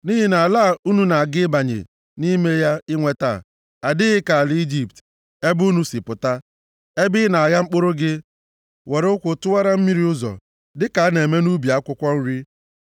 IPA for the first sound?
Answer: n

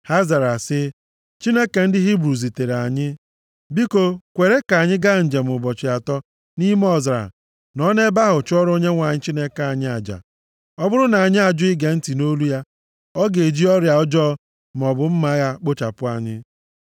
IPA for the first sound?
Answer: h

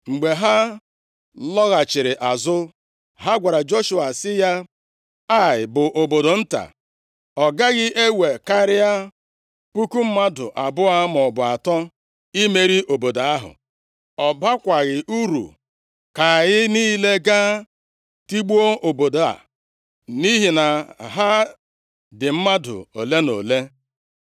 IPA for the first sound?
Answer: ŋ͡m̩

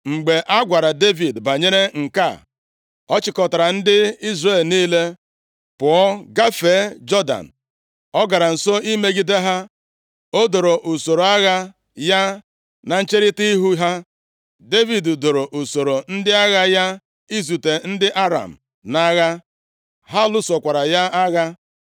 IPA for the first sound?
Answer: ŋ͡m̩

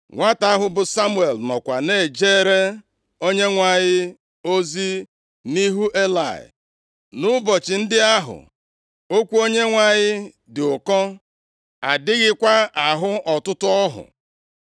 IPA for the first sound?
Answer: ŋʷ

